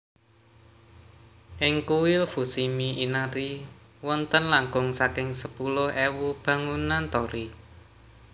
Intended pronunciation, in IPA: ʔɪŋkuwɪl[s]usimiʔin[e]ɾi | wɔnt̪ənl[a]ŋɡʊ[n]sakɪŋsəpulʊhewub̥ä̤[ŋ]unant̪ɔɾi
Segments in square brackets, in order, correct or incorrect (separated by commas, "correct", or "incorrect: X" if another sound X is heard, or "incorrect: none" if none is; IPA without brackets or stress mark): incorrect: f, incorrect: a, correct, incorrect: ŋ, correct